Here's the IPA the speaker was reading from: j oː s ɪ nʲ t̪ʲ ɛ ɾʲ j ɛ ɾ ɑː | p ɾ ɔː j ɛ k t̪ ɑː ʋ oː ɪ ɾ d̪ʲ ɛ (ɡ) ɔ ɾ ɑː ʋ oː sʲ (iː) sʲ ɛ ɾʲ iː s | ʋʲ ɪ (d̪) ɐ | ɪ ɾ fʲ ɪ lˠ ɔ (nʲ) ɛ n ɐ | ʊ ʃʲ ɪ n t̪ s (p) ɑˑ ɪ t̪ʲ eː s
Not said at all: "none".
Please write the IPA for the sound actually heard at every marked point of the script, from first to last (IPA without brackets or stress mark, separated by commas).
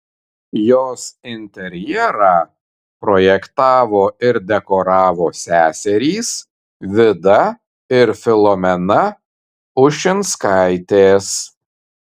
k, æː, d̪, mʲ, k